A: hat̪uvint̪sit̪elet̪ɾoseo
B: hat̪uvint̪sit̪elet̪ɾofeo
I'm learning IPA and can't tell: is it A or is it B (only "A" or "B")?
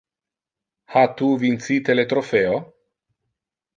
B